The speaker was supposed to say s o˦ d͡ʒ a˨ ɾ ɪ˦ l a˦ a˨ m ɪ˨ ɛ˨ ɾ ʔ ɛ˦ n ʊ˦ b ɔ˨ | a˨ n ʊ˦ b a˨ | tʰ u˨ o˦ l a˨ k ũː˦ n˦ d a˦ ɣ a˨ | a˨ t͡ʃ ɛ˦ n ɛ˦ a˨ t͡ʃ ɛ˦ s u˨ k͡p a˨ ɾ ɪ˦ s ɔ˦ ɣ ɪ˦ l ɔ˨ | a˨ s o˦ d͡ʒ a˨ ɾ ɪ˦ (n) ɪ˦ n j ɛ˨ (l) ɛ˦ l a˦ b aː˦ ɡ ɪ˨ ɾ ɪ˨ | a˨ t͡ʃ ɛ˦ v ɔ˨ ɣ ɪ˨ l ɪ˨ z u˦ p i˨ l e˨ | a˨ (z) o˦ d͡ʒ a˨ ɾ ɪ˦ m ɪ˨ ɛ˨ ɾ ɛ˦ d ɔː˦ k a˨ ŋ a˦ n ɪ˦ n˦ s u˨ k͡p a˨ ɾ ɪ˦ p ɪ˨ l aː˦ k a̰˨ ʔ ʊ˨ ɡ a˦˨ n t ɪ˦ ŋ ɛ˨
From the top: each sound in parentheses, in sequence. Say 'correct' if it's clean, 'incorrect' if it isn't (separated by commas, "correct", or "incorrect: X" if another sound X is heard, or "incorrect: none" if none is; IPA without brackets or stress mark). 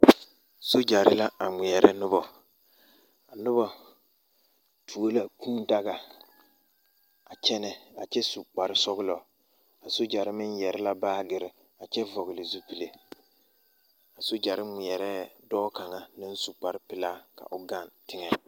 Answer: incorrect: m, incorrect: ɾ, incorrect: s